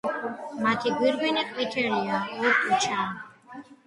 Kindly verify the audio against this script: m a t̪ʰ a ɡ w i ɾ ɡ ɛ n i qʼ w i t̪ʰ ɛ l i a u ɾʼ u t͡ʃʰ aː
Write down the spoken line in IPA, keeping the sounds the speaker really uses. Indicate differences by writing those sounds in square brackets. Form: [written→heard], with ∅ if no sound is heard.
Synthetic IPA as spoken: m a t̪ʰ [a→i] ɡ w i ɾ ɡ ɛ n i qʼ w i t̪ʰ ɛ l i a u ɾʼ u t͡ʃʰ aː